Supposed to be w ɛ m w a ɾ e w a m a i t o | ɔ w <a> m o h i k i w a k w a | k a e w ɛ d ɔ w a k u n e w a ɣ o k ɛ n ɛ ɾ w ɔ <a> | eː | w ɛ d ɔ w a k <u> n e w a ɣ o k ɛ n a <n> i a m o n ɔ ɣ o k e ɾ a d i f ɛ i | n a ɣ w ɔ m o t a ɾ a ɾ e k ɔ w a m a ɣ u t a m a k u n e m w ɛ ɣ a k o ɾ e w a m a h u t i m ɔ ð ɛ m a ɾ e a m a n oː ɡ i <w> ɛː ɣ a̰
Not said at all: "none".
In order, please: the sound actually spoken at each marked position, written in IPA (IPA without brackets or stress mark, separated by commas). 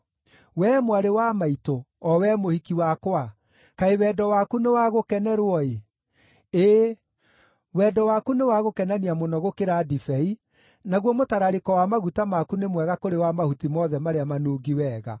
ɛ, e, u, n, w